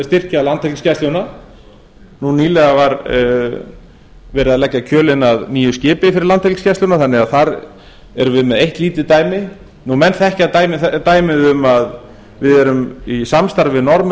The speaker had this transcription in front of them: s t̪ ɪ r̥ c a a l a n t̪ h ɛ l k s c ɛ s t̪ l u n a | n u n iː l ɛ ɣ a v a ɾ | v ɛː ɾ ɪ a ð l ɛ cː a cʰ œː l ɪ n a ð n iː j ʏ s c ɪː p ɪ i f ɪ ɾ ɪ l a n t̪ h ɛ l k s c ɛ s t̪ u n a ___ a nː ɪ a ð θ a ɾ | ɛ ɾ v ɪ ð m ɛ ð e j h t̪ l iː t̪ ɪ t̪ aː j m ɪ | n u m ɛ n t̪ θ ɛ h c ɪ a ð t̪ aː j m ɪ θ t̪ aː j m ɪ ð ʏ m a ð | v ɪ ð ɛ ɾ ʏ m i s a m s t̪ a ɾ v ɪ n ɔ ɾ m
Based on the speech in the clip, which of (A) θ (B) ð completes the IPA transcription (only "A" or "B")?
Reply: A